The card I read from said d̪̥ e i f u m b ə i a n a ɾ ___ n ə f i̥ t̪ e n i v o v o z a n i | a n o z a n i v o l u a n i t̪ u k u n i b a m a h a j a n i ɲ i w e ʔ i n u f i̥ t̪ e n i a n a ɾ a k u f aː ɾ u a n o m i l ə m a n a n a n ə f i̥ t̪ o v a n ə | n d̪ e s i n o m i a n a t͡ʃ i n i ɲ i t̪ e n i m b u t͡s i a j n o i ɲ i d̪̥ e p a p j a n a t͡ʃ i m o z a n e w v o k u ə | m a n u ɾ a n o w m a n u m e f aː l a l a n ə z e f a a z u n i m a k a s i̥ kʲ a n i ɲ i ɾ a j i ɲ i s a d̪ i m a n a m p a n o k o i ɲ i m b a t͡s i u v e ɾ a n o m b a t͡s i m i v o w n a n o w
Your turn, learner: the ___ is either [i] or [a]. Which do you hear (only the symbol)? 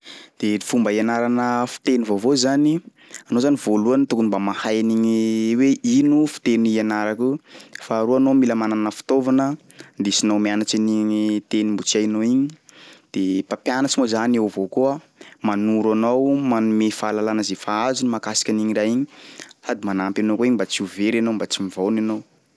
a